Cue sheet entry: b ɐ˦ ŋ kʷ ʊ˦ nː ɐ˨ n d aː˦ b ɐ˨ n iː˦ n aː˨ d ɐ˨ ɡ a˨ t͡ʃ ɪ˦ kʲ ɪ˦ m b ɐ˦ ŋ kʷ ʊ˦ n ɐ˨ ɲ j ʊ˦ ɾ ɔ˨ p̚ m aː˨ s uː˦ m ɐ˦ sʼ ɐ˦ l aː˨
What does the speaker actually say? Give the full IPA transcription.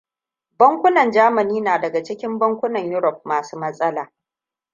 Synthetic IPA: b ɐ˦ ŋ kʷ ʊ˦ n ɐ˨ n d͡ʒ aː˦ m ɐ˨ n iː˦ n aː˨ d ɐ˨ ɡ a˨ t͡ʃ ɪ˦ kʲ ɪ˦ m b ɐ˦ ŋ kʷ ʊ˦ n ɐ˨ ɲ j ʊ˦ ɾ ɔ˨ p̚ m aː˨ s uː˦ m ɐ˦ sʼ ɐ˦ l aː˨